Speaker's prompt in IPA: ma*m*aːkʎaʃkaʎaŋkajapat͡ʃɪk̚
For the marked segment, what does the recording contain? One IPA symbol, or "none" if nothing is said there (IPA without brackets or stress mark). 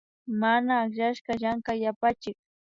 n